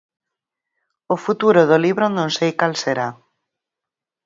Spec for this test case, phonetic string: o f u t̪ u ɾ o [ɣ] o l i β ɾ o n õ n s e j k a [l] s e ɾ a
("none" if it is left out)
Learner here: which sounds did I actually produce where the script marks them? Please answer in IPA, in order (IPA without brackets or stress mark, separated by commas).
ð, l